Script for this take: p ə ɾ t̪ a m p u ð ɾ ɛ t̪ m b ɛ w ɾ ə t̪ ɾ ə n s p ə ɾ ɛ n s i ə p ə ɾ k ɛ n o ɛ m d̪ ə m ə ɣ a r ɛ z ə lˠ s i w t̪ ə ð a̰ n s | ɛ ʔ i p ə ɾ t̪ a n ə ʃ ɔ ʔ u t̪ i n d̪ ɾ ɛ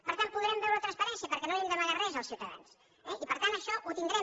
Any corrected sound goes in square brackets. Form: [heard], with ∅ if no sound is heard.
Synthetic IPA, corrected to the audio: p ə ɾ t̪ a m p u ð ɾ ɛ [∅] m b ɛ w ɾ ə t̪ ɾ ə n s p ə ɾ ɛ n s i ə p ə ɾ k ɛ n o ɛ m d̪ ə m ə ɣ a r ɛ z ə lˠ s i w t̪ ə ð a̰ n s | ɛ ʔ i p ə ɾ t̪ a n ə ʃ ɔ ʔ u t̪ i n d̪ ɾ ɛ